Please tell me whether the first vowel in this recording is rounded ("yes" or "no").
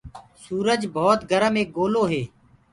yes